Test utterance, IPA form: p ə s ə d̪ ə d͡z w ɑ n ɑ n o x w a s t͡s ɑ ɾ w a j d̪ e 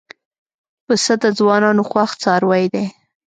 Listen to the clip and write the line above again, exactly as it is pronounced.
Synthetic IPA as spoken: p ə s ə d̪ ə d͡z w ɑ n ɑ n o x w a x t͡s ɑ ɾ w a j d̪ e